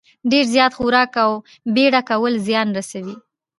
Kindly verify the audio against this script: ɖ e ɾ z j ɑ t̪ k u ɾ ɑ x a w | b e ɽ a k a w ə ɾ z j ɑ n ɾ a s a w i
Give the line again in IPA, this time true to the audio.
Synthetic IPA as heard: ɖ e ɾ z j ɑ t̪ x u ɾ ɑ k a w | b e ɽ a k a w ə l z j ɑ n ɾ a s a w i